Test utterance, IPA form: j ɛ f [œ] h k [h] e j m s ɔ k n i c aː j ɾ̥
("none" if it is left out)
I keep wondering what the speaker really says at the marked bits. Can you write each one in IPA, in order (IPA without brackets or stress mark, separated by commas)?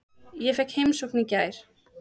ɛ, h